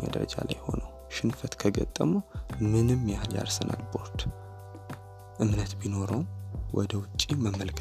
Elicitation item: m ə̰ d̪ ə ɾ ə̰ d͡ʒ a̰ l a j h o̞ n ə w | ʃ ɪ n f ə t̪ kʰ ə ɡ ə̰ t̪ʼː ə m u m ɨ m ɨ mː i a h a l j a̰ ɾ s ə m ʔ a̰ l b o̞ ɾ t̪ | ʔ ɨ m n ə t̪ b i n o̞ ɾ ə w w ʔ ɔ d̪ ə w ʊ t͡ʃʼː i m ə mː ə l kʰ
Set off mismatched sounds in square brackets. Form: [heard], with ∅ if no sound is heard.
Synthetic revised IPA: m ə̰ d̪ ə ɾ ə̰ d͡ʒ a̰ l a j h o̞ n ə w | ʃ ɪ n f ə t̪ kʰ ə ɡ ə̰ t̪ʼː ə m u m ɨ [n] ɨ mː [j] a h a l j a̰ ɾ s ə [n] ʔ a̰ l b o̞ ɾ t̪ | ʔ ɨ m n ə t̪ b i n o̞ ɾ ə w w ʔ ɔ d̪ ə w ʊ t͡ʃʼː i m ə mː ə l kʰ